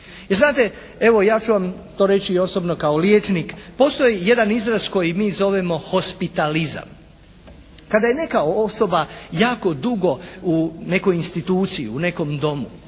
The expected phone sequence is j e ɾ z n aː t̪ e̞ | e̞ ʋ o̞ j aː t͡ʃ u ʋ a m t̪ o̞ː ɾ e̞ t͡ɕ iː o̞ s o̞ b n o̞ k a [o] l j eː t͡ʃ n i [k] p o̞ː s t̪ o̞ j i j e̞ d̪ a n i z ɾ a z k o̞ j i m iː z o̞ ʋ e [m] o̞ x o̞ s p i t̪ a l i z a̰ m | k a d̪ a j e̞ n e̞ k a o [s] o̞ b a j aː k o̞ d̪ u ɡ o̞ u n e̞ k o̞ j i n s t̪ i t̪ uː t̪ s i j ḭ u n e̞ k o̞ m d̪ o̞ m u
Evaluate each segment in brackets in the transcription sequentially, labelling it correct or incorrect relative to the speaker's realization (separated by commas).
correct, correct, correct, correct